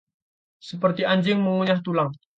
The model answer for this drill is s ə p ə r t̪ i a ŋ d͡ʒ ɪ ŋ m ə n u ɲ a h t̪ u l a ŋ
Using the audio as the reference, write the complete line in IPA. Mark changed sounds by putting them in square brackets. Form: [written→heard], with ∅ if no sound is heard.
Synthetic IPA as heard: s ə p ə r t̪ i a [ŋ→ɲ] d͡ʒ ɪ ŋ m ə [n→ŋ] u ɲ a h t̪ u l a ŋ